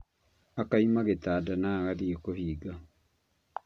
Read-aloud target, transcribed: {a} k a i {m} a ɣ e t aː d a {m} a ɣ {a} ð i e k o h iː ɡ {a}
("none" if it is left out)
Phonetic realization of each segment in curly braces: a, m, n, a, a

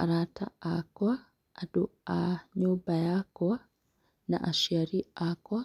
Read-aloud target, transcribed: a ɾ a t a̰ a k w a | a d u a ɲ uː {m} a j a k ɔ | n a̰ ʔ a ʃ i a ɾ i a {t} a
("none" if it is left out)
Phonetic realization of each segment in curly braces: b, k

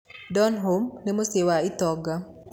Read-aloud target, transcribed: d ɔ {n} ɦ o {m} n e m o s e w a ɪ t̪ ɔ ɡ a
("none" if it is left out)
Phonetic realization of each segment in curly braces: n, m

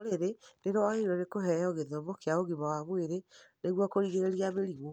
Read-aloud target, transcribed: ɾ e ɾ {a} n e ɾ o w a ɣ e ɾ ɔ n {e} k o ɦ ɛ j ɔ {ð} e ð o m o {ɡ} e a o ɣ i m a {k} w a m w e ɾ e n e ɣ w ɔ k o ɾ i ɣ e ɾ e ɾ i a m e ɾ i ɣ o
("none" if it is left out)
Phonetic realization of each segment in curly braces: e, e, ɣ, k, none

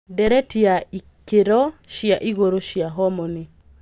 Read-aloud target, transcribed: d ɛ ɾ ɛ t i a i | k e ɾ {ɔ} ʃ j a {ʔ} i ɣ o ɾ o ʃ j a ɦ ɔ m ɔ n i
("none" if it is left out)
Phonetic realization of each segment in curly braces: ɔ, ʔ

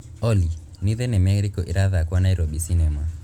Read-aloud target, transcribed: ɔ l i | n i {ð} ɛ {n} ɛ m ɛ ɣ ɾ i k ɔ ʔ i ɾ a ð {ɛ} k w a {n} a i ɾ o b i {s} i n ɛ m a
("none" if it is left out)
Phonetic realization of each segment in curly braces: ð, n, a, n, s

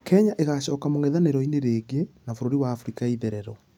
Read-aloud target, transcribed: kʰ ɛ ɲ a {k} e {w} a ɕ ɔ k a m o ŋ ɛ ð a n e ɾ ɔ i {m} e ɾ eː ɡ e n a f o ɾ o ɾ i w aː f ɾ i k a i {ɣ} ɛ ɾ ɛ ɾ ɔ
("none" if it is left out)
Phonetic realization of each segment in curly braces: ʔ, ɣ, n, ð

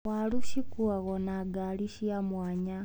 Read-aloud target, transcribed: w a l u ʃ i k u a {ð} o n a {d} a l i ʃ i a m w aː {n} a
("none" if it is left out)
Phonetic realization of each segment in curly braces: ɣ, ɡ, ɲ

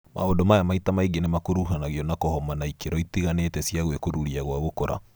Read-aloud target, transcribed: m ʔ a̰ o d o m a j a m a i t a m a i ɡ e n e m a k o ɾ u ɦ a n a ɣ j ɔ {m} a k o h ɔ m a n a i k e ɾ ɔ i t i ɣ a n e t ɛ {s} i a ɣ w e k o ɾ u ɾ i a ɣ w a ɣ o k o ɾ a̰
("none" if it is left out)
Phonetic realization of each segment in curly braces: n, s

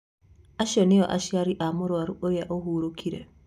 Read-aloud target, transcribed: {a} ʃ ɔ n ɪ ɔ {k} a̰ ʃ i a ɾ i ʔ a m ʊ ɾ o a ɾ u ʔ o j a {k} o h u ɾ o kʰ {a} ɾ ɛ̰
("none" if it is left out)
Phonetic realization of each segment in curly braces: a, ʔ, ʔ, i

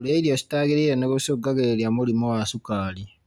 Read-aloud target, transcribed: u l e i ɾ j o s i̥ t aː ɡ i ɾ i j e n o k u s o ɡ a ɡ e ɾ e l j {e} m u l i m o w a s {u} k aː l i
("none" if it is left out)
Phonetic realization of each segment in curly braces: a, u

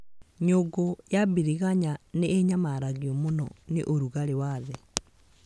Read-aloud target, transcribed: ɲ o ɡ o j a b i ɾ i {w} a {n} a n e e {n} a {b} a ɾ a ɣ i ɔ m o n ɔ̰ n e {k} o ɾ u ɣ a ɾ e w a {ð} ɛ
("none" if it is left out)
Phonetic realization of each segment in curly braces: ɣ, ɲ, ɲ, m, ʔ, ð

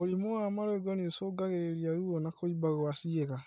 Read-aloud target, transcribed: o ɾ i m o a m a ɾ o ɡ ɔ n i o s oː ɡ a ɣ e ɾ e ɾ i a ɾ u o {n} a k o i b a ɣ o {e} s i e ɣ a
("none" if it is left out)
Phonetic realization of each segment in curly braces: n, a

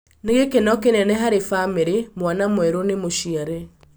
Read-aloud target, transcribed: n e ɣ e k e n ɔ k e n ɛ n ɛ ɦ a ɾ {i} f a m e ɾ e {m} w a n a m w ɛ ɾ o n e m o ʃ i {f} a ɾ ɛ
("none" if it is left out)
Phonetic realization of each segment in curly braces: e, m, none

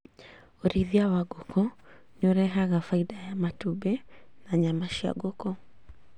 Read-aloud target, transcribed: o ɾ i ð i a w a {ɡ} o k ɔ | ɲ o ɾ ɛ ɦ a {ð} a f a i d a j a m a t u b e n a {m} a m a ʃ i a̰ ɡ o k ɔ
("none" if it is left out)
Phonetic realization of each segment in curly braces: ɡ, ɣ, ɲ

